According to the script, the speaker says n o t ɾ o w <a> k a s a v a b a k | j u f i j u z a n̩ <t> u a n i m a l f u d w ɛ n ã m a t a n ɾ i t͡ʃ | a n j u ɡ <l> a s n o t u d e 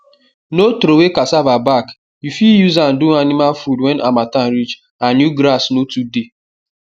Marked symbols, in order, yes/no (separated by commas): no, no, no